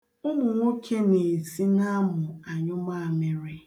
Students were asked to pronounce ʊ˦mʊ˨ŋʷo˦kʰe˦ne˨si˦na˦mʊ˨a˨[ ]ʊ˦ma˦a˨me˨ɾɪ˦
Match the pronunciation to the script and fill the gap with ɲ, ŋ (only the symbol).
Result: ɲ